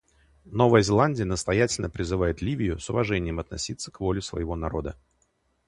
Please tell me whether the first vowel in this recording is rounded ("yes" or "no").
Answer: yes